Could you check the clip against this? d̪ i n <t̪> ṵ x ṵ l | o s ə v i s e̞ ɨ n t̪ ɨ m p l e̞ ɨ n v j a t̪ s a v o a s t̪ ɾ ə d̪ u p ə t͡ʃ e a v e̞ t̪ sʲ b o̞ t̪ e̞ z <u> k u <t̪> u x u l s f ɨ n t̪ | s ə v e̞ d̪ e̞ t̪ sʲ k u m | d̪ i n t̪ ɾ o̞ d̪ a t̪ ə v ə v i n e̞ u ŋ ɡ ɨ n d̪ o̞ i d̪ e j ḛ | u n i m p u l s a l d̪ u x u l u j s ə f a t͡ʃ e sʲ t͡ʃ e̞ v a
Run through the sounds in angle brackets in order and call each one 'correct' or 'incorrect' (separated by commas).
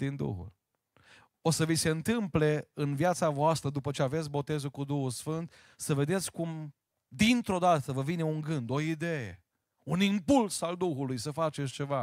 incorrect, correct, incorrect